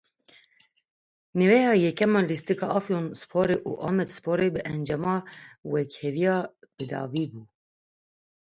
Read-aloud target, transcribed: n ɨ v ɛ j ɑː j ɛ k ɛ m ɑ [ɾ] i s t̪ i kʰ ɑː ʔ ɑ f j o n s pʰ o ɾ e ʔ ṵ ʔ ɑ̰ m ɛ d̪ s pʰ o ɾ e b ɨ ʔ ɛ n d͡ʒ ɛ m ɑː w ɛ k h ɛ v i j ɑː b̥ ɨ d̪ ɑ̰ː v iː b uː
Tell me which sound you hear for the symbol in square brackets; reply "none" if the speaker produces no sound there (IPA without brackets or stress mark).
l